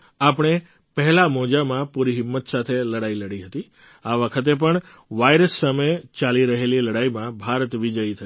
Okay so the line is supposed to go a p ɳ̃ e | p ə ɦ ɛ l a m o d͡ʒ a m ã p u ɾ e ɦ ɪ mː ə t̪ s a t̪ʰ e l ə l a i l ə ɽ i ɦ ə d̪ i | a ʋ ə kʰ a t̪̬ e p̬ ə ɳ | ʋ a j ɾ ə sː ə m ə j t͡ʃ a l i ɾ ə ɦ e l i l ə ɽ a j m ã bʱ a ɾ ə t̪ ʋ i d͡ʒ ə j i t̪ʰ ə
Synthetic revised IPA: a p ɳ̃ e | p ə ɦ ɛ l a m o d͡ʒ a m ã p u ɾ i ɦ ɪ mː ə t̪ s a t̪ʰ e l ə ɽ a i l ə ɽ i ɦ ə t̪ i | a ʋ ə kʰ ə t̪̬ e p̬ ə ɳ | ʋ a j ɾ ə sː ə m ə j t͡ʃ a l i ɾ ə ɦ e l i l ə ɽ a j m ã bʱ a ɾ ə t̪ ʋ i d͡ʒ ə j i t̪ʰ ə